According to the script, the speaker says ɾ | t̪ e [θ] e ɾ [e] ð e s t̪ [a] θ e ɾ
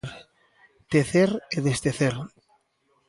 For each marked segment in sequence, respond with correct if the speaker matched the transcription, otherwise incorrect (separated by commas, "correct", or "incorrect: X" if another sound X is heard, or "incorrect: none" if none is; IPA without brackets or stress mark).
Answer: correct, correct, incorrect: e